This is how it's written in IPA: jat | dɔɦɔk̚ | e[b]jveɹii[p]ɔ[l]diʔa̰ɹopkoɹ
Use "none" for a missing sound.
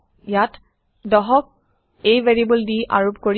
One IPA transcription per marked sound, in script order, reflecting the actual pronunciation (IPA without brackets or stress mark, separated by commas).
none, b, l